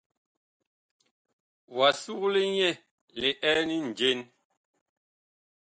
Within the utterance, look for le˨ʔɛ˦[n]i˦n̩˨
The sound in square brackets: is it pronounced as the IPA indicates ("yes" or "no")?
yes